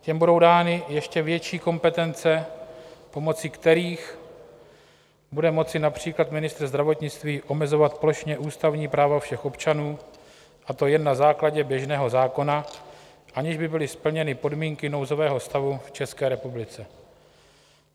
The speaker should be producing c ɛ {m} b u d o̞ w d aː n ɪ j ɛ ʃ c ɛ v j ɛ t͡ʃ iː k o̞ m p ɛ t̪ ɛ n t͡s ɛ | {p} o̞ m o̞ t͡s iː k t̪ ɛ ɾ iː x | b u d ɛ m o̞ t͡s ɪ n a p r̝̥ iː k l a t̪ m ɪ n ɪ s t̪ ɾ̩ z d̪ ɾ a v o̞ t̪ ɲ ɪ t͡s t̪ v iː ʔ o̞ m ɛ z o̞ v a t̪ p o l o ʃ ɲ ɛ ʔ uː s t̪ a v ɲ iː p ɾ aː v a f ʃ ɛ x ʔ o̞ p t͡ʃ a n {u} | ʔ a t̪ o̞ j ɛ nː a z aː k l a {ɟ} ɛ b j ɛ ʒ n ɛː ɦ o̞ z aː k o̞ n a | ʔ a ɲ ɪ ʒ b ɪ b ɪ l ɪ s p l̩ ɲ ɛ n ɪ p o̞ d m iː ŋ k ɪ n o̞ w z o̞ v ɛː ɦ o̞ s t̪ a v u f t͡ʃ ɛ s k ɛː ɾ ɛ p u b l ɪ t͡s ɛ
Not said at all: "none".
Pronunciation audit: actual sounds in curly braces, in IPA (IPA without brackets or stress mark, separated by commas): m, p, uː, ɟ